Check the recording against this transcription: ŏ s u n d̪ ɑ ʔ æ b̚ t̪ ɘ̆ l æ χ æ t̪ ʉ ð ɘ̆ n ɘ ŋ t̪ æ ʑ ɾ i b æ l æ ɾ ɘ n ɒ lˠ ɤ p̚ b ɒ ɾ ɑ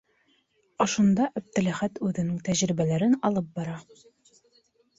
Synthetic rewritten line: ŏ ʃ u n d̪ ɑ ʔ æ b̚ t̪ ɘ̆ l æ χ æ t̪ ʉ ð ɘ̆ n ɘ ŋ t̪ æ ʑ ɾ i b æ l æ ɾ ɘ n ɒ lˠ ɤ p̚ b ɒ ɾ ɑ